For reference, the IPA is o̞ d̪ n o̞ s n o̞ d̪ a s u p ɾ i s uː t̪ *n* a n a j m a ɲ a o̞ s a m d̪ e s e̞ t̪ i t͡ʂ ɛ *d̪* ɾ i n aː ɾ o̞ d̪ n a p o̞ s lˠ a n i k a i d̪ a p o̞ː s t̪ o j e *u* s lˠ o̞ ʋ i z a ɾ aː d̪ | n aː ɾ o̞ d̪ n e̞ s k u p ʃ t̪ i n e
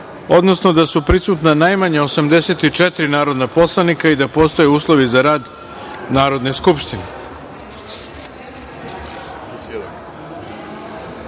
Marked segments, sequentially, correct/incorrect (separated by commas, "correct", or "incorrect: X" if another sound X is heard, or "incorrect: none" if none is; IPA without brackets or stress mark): correct, incorrect: t̪, incorrect: uː